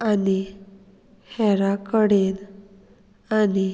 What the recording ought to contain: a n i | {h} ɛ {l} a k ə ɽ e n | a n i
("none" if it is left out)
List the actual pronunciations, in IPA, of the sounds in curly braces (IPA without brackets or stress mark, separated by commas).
h, ɾ